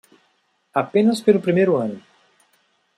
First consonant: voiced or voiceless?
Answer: voiceless